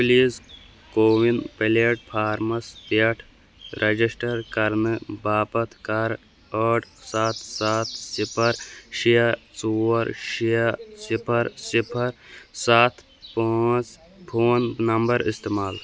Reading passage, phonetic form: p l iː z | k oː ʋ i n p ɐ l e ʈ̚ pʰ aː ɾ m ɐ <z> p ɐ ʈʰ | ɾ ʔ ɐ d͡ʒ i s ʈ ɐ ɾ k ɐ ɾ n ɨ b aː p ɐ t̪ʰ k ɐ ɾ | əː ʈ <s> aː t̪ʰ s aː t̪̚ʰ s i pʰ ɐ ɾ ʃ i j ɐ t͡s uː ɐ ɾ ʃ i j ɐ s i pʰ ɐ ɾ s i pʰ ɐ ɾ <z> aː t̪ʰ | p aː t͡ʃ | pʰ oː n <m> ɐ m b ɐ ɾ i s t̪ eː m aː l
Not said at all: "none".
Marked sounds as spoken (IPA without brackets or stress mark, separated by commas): s, s, s, n